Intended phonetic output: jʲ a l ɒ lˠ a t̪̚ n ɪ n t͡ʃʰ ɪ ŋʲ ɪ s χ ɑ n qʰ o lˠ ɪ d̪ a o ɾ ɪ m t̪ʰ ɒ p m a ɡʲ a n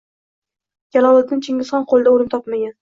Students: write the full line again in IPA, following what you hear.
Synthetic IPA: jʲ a l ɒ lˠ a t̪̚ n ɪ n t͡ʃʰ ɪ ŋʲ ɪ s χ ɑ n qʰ o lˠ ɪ d̪ a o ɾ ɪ m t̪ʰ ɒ p m a ɡʲ a n